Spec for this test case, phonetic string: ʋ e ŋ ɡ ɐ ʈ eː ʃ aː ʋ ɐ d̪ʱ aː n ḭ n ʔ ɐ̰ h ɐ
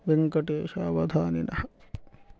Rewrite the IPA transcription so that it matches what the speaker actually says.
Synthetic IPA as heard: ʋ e ŋ k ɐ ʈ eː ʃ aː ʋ ɐ d̪ʱ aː n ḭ n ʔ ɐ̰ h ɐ